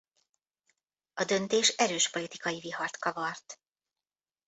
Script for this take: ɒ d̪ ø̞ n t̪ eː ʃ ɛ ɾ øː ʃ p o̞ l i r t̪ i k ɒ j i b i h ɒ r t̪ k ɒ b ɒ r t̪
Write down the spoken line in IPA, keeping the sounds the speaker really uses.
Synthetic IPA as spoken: ɒ d̪ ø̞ n t̪ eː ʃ ɛ ɾ øː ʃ p o̞ l i t̪ i k ɒ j i v i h ɒ r t̪ k ɒ v ɒ r t̪